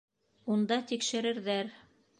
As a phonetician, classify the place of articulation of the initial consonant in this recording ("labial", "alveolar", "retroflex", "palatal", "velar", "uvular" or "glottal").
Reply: alveolar